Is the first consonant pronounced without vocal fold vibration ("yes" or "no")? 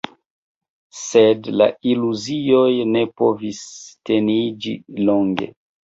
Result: yes